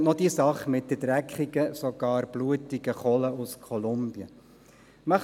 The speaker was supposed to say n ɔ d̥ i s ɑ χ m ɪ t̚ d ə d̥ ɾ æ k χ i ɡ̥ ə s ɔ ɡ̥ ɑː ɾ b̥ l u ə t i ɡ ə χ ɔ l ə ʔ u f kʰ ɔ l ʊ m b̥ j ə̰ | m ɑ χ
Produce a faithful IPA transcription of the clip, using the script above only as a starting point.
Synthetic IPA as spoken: n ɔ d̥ i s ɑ χ m ɪ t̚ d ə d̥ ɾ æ k χ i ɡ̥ ə s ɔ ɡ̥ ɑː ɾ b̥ l u ə t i ɡ ə χ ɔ l ə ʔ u s kʰ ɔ l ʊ m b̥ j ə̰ | m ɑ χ